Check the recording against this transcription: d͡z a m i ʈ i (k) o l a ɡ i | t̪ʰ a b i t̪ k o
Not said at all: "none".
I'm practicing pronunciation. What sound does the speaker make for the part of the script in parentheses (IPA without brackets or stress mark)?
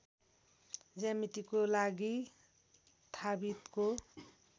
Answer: k